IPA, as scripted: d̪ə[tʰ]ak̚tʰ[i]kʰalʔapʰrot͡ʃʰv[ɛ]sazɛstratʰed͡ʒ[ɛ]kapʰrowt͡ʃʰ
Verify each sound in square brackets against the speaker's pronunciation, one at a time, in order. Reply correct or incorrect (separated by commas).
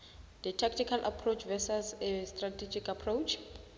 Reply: correct, correct, correct, incorrect